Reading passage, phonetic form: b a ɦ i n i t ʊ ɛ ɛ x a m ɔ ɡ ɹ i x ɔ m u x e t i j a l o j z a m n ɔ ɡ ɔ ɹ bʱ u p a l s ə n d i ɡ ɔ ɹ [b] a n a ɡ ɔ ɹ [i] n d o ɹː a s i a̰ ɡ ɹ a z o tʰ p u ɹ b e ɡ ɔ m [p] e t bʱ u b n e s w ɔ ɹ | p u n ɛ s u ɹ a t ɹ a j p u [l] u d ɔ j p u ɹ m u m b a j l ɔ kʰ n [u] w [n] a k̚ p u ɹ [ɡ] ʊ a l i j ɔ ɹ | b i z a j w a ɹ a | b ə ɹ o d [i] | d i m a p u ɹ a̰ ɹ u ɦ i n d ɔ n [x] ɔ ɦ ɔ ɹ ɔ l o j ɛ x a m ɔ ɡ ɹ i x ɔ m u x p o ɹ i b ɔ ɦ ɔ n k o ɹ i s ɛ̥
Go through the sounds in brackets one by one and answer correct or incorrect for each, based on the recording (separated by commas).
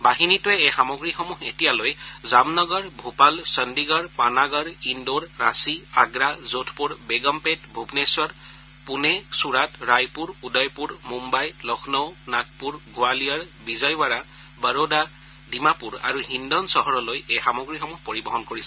incorrect, correct, correct, incorrect, incorrect, correct, correct, incorrect, incorrect